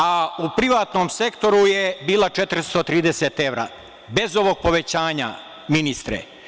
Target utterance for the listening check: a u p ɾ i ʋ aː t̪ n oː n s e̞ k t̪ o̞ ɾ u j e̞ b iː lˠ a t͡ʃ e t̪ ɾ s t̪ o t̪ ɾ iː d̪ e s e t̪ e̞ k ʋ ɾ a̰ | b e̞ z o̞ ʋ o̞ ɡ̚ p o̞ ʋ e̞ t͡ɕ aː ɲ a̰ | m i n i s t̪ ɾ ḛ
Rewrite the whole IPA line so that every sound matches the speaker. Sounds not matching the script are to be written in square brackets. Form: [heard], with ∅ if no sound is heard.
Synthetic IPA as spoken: a u p ɾ i ʋ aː t̪ n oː [m] s e̞ k t̪ o̞ ɾ u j e̞ b iː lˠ a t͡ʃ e t̪ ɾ s t̪ o t̪ ɾ iː d̪ e s e t̪ e̞ [∅] ʋ ɾ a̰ | b e̞ z o̞ ʋ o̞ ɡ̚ p o̞ ʋ e̞ t͡ɕ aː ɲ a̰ | m i n i s t̪ ɾ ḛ